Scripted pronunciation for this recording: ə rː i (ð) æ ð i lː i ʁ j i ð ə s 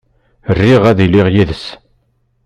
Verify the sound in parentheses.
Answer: incorrect: ʁ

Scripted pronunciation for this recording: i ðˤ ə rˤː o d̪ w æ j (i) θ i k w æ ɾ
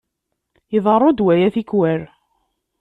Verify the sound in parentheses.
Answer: incorrect: æ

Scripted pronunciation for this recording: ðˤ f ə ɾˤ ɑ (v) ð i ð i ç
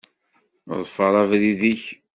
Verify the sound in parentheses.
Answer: correct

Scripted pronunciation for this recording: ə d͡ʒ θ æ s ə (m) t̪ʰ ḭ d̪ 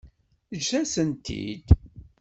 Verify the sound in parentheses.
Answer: incorrect: n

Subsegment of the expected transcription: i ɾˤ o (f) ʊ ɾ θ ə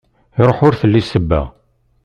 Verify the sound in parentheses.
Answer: incorrect: ħ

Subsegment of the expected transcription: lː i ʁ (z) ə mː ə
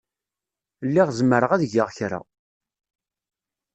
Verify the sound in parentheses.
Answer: correct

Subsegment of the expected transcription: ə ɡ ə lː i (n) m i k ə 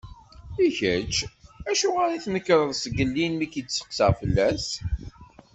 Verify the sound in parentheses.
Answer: correct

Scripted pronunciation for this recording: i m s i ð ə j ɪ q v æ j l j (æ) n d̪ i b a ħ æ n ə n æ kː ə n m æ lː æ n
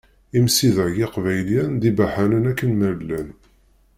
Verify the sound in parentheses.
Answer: correct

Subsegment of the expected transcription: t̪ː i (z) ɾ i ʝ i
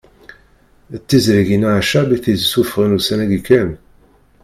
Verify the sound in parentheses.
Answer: correct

